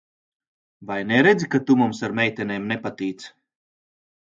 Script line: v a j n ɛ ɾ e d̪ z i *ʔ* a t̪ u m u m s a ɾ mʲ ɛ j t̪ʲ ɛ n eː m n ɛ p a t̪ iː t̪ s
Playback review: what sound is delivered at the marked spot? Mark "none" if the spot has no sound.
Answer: k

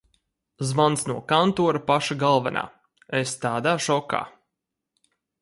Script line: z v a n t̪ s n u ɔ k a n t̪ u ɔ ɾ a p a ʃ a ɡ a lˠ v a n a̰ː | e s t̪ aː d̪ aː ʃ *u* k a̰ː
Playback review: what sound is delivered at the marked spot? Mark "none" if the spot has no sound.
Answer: ɔ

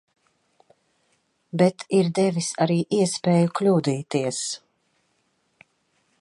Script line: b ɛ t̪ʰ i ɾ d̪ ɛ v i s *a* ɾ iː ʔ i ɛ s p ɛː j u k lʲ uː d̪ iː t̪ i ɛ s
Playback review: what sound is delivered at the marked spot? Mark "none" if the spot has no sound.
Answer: a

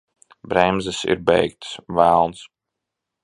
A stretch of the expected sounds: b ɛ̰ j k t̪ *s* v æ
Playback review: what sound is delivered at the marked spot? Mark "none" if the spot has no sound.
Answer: s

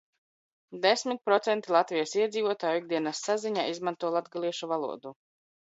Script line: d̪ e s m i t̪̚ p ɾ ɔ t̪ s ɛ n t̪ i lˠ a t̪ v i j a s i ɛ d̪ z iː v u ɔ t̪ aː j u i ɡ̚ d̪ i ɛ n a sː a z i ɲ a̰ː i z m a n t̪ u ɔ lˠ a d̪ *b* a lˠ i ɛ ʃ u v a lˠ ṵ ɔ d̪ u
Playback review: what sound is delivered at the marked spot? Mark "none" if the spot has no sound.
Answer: ɡ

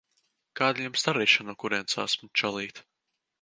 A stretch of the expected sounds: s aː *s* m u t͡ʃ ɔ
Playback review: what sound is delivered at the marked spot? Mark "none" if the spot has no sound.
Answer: s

